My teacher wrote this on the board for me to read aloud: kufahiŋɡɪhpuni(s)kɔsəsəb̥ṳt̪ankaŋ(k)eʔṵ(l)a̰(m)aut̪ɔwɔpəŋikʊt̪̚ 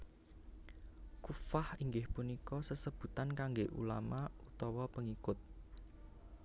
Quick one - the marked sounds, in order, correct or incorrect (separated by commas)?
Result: incorrect, incorrect, correct, correct